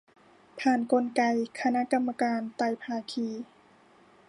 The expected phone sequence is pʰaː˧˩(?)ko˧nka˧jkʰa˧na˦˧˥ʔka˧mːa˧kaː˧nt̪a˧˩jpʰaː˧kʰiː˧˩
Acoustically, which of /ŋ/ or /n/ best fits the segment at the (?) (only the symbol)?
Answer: n